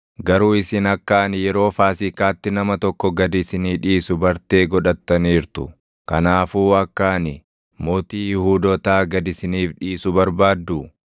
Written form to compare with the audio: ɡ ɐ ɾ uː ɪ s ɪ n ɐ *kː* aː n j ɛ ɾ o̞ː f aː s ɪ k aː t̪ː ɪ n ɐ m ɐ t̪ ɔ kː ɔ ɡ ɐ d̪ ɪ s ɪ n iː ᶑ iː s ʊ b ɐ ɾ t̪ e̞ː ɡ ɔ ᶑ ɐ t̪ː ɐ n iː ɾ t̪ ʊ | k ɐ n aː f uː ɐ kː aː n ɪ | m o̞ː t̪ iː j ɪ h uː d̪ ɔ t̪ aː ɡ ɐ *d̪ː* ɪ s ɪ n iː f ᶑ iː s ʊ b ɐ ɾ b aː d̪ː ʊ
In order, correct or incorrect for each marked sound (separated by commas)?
correct, incorrect